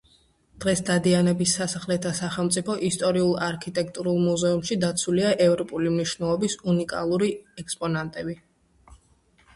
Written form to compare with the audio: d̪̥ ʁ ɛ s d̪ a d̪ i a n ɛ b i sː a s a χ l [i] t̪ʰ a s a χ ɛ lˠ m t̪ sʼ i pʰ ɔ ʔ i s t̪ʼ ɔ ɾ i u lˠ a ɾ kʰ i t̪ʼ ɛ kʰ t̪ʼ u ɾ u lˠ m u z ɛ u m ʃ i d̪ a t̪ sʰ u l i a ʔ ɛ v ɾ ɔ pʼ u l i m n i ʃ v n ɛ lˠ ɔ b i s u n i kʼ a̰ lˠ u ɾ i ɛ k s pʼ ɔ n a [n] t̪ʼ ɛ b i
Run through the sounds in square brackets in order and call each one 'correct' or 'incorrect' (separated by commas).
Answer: incorrect, correct